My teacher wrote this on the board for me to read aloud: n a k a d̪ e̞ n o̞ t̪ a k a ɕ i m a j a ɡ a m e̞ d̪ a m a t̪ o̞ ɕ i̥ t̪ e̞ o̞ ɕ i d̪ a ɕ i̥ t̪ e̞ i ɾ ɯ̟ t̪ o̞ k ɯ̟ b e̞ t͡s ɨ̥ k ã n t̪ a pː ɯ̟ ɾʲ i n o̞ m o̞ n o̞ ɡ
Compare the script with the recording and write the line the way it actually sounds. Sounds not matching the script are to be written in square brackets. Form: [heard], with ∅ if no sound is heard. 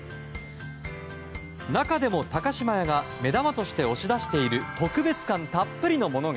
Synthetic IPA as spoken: n a k a d̪ e̞ [m] o̞ t̪ a k a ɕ i m a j a ɡ a m e̞ d̪ a m a t̪ o̞ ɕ i̥ t̪ e̞ o̞ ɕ i d̪ a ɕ i̥ t̪ e̞ i ɾ ɯ̟ t̪ o̞ k ɯ̟ b e̞ t͡s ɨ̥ k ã n t̪ a pː ɯ̟ ɾʲ i n o̞ m o̞ n o̞ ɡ

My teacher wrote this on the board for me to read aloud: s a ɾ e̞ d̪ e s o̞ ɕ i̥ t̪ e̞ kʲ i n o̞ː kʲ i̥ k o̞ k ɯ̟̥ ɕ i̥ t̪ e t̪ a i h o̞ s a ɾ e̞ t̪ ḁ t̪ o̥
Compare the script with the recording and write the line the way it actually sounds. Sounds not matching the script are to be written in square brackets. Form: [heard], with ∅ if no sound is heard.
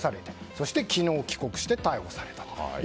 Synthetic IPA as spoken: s a ɾ e̞ [t̪] e s o̞ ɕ i̥ t̪ e̞ kʲ i n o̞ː kʲ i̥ k o̞ k ɯ̟̥ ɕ i̥ t̪ e t̪ a i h o̞ s a ɾ e̞ t̪ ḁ t̪ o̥

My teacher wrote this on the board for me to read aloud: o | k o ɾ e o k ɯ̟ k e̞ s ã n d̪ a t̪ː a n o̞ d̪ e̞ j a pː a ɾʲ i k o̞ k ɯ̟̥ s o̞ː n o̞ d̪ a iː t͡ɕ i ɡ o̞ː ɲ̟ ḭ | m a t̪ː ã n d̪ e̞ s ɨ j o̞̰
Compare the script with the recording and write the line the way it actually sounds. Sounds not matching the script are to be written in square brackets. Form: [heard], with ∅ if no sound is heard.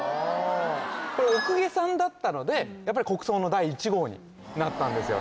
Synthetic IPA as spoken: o | k o ɾ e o k ɯ̟ [ɡ] e̞ s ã n d̪ a t̪ː a n o̞ d̪ e̞ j a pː a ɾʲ i k o̞ k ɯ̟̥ s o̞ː n o̞ d̪ a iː t͡ɕ i ɡ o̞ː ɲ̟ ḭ | [n] a t̪ː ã n d̪ e̞ s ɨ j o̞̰

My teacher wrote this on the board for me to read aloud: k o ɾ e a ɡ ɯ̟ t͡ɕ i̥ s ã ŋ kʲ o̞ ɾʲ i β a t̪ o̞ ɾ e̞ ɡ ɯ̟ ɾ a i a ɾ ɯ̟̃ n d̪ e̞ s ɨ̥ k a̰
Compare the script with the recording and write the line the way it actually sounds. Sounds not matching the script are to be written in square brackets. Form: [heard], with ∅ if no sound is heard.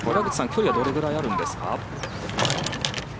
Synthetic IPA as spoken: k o ɾ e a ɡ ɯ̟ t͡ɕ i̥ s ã ŋ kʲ o̞ ɾʲ i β a [d̪] o̞ ɾ e̞ ɡ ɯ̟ ɾ a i a ɾ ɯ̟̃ n d̪ e̞ s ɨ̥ k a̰

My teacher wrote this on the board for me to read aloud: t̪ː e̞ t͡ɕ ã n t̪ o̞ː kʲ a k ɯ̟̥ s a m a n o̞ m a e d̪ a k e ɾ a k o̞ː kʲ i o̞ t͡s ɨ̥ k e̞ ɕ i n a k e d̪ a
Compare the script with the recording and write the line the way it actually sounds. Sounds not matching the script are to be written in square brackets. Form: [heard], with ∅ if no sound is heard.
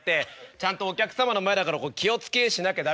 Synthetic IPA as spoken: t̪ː e̞ t͡ɕ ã n t̪ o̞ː kʲ a k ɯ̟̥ s a m a n o̞ m a e d̪ a k [a] ɾ a k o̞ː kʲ i o̞ t͡s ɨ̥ k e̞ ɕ i n a k e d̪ a

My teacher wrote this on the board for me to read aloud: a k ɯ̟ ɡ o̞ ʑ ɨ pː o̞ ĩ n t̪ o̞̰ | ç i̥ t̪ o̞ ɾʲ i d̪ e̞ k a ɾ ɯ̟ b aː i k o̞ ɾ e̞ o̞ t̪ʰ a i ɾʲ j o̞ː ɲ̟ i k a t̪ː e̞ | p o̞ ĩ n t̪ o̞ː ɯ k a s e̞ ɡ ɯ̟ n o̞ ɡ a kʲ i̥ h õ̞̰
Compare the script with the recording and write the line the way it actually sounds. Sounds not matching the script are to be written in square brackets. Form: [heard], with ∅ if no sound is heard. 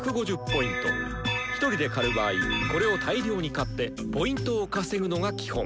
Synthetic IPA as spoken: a k ɯ̟ ɡ o̞ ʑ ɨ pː o̞ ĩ n t̪ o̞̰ | ç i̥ t̪ o̞ ɾʲ i d̪ e̞ k a ɾ ɯ̟ b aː i k o̞ ɾ e̞ o̞ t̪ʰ a i ɾʲ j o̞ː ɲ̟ i k a t̪ː e̞ | p o̞ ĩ n t̪ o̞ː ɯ k a s e̞ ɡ ɯ̟ n o̞ ɡ a kʲ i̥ h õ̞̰

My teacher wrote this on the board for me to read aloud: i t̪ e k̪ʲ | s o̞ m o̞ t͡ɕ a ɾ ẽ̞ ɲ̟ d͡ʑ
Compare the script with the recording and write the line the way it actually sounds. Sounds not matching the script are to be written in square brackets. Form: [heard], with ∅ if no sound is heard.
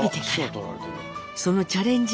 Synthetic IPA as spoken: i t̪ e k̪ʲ | s o̞ [n] o̞ t͡ɕ a ɾ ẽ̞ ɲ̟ d͡ʑ

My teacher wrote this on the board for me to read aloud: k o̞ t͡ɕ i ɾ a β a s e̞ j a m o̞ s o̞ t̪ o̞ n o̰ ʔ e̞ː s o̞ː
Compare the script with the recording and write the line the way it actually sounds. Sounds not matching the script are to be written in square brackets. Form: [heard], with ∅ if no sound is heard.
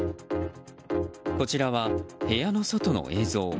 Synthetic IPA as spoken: k o̞ t͡ɕ i ɾ a β a [h] e̞ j a [n] o̞ s o̞ t̪ o̞ n o̰ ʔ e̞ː [z] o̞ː

